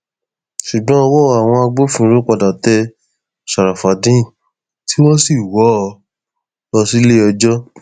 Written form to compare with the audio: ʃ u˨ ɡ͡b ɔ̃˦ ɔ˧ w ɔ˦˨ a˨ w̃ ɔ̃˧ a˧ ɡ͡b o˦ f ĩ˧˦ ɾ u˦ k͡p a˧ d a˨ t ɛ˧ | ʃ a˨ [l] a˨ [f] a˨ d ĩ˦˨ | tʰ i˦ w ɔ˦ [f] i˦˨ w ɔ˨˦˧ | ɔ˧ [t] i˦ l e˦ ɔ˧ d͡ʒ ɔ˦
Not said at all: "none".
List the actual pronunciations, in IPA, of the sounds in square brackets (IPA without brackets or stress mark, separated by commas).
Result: ɾ, f, s, s